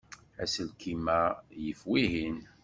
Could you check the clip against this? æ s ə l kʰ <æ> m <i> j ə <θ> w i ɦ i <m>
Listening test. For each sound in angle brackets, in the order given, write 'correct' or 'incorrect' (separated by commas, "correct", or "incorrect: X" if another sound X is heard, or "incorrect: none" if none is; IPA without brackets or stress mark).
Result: incorrect: i, incorrect: æ, incorrect: f, incorrect: n